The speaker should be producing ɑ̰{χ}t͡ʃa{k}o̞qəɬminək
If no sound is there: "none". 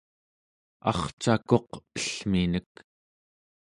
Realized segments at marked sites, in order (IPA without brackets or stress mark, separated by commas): χ, k